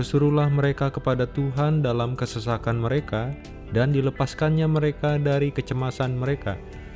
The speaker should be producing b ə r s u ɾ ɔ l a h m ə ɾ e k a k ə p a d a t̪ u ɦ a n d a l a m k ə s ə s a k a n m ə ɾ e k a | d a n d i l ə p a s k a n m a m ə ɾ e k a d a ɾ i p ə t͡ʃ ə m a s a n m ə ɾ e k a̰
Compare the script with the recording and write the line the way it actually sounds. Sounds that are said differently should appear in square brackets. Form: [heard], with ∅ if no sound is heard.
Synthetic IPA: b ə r s u ɾ [u] l a h m ə ɾ e k a k ə p a d a t̪ u ɦ a n d a l a m k ə s ə s a k a n m ə ɾ e k a | d a n d i l ə p a s k a n [ɲ] a m ə ɾ e k a d a ɾ i [k] ə t͡ʃ ə m a s a n m ə ɾ e k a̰